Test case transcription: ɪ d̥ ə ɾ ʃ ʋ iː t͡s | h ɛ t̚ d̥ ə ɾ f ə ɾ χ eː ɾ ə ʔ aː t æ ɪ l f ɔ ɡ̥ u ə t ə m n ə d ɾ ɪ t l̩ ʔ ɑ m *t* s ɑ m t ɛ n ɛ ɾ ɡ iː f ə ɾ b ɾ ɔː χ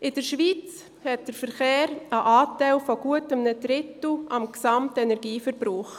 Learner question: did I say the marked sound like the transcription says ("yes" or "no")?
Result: no